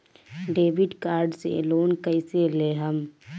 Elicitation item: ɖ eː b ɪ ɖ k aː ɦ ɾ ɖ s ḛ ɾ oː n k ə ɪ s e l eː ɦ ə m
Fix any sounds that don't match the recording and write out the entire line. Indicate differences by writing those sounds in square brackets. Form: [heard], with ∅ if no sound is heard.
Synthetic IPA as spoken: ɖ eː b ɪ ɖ k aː [∅] ɾ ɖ s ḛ [l] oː n k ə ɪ s e l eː ɦ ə m